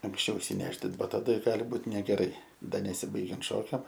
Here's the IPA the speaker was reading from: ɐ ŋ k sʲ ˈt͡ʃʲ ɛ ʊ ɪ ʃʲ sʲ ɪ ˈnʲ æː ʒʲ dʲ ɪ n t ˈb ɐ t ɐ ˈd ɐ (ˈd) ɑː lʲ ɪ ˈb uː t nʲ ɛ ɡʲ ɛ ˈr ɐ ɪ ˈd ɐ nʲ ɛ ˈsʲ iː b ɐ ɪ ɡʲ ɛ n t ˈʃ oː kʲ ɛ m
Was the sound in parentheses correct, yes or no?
no